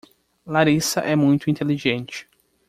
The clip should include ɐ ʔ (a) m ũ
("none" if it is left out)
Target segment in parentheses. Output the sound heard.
ɛ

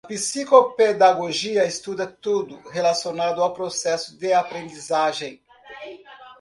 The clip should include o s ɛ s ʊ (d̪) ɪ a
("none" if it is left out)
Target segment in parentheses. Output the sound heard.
d̪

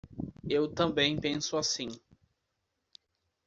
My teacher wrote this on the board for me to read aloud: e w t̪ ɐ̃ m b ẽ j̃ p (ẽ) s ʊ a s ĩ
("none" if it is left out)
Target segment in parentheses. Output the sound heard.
ẽ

